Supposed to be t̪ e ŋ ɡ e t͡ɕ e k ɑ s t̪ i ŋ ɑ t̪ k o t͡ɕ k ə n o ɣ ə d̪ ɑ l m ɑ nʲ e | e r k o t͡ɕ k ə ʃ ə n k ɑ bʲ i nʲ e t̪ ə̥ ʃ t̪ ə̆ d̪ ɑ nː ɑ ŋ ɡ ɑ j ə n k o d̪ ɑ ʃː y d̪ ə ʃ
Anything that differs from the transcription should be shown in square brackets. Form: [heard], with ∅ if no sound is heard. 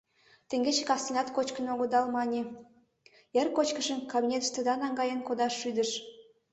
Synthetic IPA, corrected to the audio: t̪ e ŋ ɡ e t͡ɕ e k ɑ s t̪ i [n] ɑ t̪ k o t͡ɕ k ə n o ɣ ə d̪ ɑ l m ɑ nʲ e | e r k o t͡ɕ k ə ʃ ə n k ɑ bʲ i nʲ e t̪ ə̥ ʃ t̪ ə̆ d̪ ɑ [n] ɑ ŋ ɡ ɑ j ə n k o d̪ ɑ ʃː y d̪ ə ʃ

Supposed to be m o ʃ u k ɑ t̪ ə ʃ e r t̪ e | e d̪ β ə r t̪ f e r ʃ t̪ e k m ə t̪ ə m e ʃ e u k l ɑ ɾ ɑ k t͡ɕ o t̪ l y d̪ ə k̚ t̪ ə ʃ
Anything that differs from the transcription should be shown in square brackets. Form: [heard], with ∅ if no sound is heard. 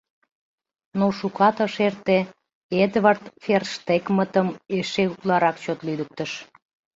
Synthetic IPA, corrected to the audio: [n] o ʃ u k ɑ t̪ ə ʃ e r t̪ e | e d̪ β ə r t̪ f e r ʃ t̪ e k m ə t̪ ə m e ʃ e u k l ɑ ɾ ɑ k t͡ɕ o t̪ l y d̪ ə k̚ t̪ ə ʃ

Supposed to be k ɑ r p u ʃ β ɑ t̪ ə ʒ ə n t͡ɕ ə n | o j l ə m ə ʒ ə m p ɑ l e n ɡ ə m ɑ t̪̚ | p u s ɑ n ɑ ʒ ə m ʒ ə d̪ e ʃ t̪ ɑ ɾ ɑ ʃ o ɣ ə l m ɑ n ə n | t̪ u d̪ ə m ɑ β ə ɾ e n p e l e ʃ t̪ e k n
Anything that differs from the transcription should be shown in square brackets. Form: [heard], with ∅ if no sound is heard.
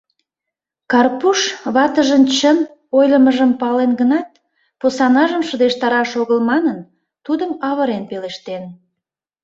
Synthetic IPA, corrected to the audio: k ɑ r p u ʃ β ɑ t̪ ə ʒ ə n t͡ɕ ə n | o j l ə m ə ʒ ə m p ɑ l e n ɡ ə [n] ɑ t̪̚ | p [o] s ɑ n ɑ ʒ ə m [ʃ] ə d̪ e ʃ t̪ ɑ ɾ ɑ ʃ o ɣ ə l m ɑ n ə n | t̪ u d̪ ə m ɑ β ə ɾ e n p e l e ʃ t̪ e [∅] n

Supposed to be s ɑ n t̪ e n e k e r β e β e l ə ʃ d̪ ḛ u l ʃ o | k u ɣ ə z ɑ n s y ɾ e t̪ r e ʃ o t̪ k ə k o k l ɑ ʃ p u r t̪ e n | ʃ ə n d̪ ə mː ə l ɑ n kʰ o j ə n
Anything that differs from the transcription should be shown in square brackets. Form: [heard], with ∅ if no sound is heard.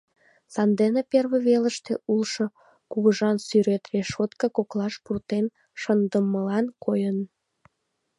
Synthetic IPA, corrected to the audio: s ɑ n [d̪] e n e [p] e r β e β e l ə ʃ [t̪] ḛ u l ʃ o | k u ɣ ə [ʒ] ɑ n s y ɾ e t̪ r e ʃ o t̪ k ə k o k l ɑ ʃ p u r t̪ e n | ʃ ə n d̪ ə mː ə l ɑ n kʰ o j ə n

